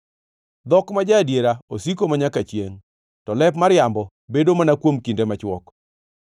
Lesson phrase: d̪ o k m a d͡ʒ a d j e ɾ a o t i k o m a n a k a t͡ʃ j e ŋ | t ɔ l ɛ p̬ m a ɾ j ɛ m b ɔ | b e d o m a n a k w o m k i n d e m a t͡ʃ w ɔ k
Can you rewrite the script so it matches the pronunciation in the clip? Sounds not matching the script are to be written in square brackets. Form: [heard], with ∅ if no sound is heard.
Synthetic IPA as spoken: d̪ [ɔ] k m a d͡ʒ a d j e ɾ a o [s] i k o m a [ɲ] a k a t͡ʃ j e ŋ | t ɔ l ɛ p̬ m a ɾ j [a] m b ɔ | b e d o m a n a k w o m k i n d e m a t͡ʃ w ɔ k